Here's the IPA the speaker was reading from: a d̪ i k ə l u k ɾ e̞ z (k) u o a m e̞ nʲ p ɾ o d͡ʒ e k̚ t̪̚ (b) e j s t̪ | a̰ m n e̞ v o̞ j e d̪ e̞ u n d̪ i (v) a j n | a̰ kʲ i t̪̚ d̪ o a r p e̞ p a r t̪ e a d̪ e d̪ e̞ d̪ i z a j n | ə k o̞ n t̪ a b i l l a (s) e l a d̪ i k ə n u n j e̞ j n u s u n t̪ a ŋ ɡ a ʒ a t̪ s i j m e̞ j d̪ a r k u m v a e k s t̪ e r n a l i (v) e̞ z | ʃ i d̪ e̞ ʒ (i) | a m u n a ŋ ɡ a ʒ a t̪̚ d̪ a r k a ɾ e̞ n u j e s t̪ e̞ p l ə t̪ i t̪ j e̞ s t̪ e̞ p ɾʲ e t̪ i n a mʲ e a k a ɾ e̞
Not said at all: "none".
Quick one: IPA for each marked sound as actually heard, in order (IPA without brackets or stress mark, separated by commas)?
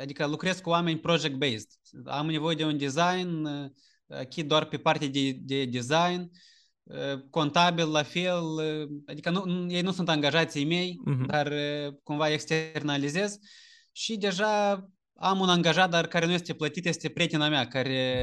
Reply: k, b, z, f, z, a